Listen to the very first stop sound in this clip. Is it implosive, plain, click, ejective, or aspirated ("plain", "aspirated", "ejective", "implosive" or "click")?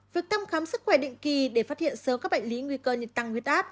plain